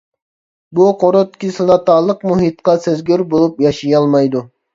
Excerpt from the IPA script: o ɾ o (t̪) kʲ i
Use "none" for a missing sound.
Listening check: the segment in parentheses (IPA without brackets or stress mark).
t̪